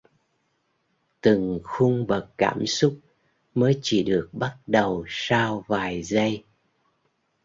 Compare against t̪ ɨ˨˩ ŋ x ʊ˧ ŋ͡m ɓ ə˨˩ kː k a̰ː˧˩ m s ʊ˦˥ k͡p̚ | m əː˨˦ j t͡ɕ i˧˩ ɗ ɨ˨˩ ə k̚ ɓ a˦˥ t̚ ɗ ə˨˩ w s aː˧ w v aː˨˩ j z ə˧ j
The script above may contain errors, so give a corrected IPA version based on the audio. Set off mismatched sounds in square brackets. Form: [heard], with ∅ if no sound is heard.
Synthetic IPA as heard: t̪ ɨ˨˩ ŋ x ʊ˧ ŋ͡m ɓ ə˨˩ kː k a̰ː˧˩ m s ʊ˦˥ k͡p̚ | m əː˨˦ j t͡ɕ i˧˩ ɗ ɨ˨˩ ə k̚ ɓ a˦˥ t̚ ɗ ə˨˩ w s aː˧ w v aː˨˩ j z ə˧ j